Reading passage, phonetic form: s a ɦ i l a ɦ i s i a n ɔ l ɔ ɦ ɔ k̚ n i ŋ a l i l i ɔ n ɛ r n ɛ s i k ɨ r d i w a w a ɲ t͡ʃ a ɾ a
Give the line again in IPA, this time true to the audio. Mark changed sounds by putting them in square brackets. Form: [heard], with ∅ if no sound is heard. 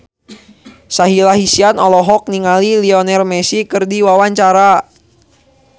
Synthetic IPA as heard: s a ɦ i l a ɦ i s i a n ɔ l ɔ ɦ ɔ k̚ n i ŋ a l i l i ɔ n ɛ r [m] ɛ s i k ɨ r d i w a w a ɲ t͡ʃ a ɾ a